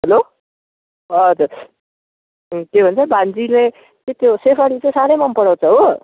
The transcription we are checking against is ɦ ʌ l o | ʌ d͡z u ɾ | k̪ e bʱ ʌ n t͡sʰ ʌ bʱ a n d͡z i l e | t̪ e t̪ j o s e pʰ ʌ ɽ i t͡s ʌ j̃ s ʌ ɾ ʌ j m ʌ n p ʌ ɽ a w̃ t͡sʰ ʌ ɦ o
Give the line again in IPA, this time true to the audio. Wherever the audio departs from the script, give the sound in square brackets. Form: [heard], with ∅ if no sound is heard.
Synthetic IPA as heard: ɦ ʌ l o | ʌ d͡z u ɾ | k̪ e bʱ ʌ n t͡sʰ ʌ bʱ a n d͡z i l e | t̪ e t̪ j o s e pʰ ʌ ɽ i t͡s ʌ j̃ s [a] ɾ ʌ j m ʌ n p ʌ ɽ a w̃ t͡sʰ ʌ ɦ o